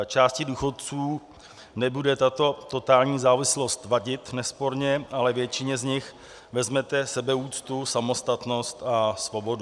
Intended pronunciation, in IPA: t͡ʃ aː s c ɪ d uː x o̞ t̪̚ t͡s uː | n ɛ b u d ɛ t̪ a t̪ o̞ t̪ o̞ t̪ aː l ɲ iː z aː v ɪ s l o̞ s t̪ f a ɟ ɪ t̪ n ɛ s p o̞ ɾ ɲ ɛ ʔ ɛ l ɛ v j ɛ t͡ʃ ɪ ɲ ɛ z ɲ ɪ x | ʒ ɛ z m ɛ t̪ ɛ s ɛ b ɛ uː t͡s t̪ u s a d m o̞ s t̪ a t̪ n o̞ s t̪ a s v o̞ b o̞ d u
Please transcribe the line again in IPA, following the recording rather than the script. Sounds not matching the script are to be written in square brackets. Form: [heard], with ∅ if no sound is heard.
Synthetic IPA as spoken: t͡ʃ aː s c ɪ d uː x o̞ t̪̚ t͡s uː | n ɛ b u d ɛ t̪ a t̪ o̞ t̪ o̞ t̪ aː l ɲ iː z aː v ɪ s l o̞ s t̪ [v] a ɟ ɪ t̪ n ɛ s p o̞ ɾ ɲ ɛ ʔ [a] l ɛ v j ɛ t͡ʃ ɪ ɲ ɛ z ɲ ɪ x | [v] ɛ z m ɛ t̪ ɛ s ɛ b ɛ uː t͡s t̪ u s a [∅] m o̞ s t̪ a t̪ n o̞ s t̪ a s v o̞ b o̞ d u